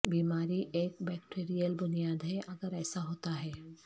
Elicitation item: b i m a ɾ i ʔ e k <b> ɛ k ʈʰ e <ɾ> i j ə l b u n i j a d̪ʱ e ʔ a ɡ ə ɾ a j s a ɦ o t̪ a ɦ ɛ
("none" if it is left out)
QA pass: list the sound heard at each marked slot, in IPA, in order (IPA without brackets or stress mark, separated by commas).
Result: b, ɾ